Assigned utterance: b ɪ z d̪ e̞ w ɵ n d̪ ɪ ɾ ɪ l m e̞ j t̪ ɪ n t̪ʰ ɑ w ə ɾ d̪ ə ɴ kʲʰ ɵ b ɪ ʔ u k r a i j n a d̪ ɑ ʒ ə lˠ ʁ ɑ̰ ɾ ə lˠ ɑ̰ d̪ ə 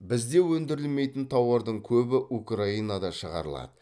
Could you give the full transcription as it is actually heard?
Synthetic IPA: b ɪ z d̪ e̞ w ɵ n d̪ ɪ ɾ ɪ l m e̞ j t̪ ɪ n t̪ʰ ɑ w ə ɾ d̪ ə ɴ kʲʰ ɵ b ɪ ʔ u k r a i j n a d̪ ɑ ʃ ə ʁ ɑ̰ ɾ ə lˠ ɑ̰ d̪ ə